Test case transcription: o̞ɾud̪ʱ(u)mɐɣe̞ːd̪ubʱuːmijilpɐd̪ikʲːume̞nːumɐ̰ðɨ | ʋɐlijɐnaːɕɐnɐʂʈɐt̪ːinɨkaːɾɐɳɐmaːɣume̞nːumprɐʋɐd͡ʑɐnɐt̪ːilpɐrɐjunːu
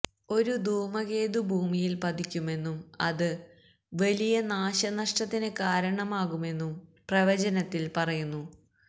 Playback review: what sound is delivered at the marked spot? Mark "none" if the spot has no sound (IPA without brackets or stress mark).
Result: uː